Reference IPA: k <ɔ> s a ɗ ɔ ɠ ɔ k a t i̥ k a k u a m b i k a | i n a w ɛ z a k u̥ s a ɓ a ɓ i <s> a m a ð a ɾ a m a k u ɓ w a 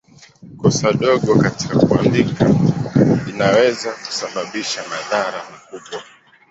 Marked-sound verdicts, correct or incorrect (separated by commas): correct, incorrect